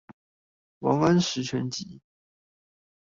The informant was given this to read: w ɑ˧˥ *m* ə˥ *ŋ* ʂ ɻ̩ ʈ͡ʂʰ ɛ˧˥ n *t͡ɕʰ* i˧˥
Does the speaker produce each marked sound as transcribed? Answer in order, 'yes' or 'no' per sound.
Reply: no, no, no

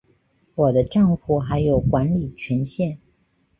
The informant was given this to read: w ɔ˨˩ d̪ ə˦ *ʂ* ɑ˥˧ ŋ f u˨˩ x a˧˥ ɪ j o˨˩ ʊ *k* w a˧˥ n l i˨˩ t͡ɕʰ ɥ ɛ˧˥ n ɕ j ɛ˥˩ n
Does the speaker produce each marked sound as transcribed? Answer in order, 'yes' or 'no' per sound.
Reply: no, yes

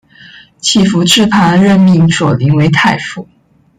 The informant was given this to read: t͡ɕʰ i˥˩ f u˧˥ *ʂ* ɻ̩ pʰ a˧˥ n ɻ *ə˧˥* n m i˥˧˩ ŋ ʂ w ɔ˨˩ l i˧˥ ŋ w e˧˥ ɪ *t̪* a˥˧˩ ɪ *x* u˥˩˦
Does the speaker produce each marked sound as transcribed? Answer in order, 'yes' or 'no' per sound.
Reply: no, no, no, no

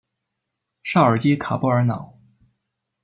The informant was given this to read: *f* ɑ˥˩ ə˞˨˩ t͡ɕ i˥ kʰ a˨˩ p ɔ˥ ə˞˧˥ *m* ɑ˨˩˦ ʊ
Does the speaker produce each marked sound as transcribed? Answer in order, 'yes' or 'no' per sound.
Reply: no, no

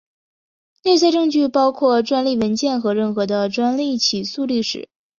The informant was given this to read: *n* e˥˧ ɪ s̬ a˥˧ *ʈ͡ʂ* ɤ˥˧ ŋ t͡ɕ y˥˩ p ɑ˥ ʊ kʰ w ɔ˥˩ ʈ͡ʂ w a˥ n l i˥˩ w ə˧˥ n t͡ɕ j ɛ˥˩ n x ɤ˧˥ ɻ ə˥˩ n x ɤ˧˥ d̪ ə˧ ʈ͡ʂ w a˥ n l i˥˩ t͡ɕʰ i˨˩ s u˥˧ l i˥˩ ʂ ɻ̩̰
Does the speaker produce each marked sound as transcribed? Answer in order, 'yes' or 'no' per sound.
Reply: yes, yes

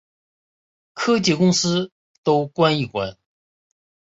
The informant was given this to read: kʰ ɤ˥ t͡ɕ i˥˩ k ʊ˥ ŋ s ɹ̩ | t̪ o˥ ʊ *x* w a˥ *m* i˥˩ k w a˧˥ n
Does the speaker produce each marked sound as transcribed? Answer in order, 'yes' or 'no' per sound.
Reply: no, no

